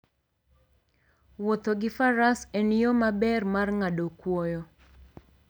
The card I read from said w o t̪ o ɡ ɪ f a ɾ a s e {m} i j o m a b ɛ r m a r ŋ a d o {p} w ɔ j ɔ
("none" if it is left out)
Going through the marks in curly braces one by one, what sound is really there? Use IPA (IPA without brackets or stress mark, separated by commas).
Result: n, k